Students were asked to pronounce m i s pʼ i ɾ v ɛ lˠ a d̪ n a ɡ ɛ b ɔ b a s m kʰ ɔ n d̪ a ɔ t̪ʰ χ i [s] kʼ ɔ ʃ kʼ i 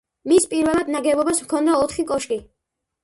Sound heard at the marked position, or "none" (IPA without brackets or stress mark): none